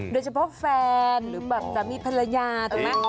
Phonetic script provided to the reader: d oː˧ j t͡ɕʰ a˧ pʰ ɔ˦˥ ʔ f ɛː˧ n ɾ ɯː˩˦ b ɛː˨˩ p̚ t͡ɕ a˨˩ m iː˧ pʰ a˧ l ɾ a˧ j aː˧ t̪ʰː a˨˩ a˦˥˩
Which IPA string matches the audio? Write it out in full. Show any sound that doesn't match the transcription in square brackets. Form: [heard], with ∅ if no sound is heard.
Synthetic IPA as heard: d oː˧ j t͡ɕʰ a˧ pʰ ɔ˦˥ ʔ f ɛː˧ n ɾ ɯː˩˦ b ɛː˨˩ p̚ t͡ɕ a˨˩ m iː˧ pʰ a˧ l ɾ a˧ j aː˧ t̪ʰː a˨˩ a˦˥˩

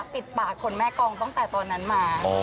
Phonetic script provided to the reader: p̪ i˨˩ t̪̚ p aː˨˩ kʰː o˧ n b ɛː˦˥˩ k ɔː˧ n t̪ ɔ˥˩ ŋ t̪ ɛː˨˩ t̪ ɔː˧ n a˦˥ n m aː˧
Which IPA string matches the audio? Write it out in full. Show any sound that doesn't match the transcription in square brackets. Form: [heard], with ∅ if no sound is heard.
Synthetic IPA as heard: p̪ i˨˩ t̪̚ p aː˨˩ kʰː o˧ n [m] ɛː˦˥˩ k ɔː˧ [ŋ] t̪ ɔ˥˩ ŋ t̪ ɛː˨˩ t̪ ɔː˧ [nː] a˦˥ n m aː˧

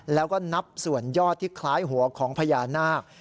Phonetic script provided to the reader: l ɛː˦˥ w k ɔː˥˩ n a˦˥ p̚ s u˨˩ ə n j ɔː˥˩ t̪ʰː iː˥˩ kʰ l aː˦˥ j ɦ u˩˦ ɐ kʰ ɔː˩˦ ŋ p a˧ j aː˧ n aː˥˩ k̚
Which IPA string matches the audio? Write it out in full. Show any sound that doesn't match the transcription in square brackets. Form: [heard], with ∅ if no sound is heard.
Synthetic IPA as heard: l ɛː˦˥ w k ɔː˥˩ n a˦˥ p̚ s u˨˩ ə n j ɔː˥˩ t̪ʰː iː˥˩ kʰ l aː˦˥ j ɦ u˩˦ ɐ kʰ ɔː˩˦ ŋ [pʰ] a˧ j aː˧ n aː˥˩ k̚

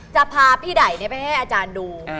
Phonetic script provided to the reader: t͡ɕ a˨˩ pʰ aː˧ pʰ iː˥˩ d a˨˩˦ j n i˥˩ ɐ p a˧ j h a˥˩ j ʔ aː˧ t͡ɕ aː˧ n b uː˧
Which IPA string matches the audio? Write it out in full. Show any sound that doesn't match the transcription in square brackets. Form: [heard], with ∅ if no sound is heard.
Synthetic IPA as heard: t͡ɕ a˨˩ pʰ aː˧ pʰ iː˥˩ d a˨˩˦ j n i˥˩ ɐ p a˧ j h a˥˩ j ʔ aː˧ t͡ɕ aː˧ n [d] uː˧

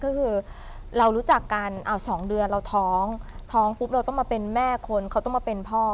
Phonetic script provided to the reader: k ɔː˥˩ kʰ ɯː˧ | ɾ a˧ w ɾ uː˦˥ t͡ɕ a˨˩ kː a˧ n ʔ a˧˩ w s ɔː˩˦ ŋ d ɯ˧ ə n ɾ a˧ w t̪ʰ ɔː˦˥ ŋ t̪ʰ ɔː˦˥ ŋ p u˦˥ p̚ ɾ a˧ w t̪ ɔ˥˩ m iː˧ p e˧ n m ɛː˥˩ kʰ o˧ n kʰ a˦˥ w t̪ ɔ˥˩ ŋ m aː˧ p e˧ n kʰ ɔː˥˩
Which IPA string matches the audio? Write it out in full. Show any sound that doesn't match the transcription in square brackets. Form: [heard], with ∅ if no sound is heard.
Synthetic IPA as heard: k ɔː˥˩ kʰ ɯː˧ | ɾ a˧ w ɾ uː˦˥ t͡ɕ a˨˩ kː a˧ n ʔ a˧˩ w s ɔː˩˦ ŋ d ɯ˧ ə n ɾ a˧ w t̪ʰ ɔː˦˥ ŋ t̪ʰ ɔː˦˥ ŋ p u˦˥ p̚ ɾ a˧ w t̪ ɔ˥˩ m [aː˧] p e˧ n m ɛː˥˩ kʰ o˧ n kʰ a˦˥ w t̪ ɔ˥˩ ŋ m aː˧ p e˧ n [pʰ] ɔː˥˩

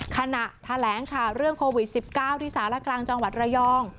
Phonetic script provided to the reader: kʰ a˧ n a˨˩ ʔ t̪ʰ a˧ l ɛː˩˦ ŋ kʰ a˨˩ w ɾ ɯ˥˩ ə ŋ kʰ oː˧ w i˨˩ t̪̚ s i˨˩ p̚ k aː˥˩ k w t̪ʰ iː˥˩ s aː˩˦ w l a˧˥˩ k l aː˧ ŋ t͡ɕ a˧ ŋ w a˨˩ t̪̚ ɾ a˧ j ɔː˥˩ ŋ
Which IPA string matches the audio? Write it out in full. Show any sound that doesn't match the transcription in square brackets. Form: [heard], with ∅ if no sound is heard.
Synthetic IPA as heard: kʰ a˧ n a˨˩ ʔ t̪ʰ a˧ l ɛː˩˦ ŋ kʰ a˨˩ w ɾ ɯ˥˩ ə ŋ kʰ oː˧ w i˨˩ t̪̚ s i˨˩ p̚ k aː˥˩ [∅] w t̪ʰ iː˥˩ s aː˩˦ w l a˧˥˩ k l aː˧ ŋ t͡ɕ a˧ ŋ w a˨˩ t̪̚ ɾ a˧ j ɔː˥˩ ŋ

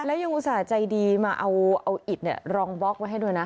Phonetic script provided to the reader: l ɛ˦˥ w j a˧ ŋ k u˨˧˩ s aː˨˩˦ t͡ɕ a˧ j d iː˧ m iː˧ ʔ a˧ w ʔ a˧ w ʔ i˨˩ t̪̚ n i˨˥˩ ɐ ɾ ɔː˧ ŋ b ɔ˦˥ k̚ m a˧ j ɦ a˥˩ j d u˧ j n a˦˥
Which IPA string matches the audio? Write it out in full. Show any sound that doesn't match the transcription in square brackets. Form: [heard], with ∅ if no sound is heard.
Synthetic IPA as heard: l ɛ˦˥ w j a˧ ŋ [ʔ] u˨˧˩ s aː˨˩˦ t͡ɕ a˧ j d iː˧ m [aː˧] ʔ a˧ w ʔ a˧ w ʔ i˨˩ t̪̚ n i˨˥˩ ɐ ɾ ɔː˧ ŋ b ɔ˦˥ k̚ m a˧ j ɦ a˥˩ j d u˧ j n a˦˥

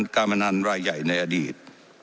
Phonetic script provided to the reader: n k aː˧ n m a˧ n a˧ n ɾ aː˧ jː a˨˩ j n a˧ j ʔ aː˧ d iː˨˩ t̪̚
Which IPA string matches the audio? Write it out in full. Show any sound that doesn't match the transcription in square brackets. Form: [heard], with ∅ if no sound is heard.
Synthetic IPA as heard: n k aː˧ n m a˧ n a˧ n ɾ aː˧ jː a˨˩ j n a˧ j ʔ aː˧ d iː˨˩ t̪̚

